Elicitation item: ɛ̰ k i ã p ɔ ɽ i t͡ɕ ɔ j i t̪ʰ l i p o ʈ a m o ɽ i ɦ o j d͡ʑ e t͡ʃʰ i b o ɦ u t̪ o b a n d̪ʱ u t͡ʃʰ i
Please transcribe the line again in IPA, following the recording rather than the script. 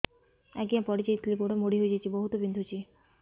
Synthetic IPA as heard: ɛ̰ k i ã p ɔ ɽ i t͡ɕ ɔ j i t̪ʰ l i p o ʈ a m o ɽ i ɦ o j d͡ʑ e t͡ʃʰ i b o ɦ u t̪ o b i n d̪ʱ u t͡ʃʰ i